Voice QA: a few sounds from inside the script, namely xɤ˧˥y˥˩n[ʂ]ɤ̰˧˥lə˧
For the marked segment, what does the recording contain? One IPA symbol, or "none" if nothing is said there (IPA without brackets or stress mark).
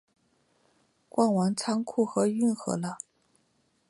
x